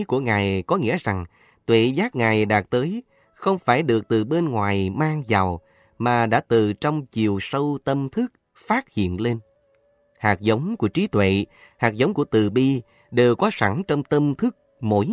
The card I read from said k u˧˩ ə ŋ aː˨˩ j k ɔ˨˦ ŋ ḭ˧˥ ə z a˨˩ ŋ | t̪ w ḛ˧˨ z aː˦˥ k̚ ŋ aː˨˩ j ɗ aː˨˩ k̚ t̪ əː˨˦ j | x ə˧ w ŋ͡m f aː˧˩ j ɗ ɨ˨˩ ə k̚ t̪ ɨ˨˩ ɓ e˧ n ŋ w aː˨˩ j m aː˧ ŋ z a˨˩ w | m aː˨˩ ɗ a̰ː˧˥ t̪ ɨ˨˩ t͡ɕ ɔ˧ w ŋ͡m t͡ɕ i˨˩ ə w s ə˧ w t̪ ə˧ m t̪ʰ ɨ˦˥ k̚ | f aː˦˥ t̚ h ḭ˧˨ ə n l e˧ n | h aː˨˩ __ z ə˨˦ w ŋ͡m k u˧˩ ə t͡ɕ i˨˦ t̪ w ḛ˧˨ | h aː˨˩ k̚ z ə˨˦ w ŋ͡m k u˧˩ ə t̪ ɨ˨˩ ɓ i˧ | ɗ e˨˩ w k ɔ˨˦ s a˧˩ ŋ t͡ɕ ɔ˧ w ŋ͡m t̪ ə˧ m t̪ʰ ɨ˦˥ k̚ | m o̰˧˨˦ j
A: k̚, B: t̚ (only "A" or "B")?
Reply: A